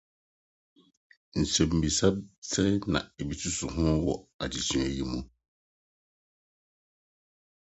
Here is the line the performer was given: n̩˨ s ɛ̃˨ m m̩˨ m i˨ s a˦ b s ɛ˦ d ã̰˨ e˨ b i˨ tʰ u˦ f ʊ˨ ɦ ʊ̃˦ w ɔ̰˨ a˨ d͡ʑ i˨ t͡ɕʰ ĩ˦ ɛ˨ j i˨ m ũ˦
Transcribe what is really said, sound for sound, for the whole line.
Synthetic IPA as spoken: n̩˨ s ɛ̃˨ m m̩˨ b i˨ s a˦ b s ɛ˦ n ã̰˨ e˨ b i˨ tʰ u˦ s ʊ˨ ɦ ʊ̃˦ w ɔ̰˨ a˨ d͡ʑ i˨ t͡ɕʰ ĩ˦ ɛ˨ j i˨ m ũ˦